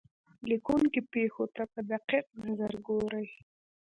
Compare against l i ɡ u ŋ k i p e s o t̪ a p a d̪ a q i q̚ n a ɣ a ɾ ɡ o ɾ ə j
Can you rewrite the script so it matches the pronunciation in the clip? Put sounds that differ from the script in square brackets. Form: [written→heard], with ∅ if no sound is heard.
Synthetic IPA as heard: l i [ɡ→k] u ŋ k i p e [s→x] o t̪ a p [a→ə] d̪ a q i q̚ n a [ɣ→z] a ɾ ɡ o ɾ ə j